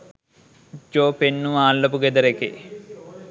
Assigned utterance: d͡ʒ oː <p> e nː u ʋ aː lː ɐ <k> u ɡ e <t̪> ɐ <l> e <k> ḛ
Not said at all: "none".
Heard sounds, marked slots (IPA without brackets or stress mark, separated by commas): p, p, d̪, ɾ, k